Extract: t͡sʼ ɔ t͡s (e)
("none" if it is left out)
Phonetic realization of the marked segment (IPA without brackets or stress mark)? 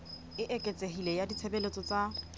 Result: a